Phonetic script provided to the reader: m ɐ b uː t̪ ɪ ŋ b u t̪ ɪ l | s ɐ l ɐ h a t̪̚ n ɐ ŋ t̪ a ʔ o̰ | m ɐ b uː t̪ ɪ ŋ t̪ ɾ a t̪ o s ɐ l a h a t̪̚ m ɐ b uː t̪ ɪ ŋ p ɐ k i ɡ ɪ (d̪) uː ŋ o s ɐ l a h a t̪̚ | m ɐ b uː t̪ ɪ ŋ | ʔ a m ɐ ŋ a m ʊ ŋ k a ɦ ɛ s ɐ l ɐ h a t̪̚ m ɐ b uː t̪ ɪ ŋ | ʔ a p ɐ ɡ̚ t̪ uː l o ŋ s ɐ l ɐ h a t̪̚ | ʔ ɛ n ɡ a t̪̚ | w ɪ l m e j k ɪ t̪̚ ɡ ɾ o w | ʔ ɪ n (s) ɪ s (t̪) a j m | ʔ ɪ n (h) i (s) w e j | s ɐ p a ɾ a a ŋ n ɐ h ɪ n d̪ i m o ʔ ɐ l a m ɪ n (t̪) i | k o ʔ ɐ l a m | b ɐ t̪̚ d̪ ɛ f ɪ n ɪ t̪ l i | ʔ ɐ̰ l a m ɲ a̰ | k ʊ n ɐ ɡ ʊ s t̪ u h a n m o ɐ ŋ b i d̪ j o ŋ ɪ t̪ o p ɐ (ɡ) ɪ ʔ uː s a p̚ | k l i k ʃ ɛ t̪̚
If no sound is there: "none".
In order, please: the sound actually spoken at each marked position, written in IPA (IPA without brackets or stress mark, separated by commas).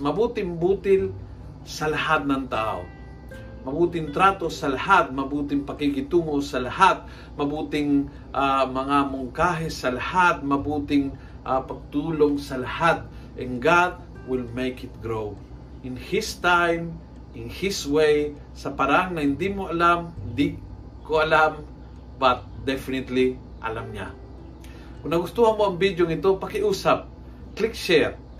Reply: t̪, h, t̪, h, s, d̪, k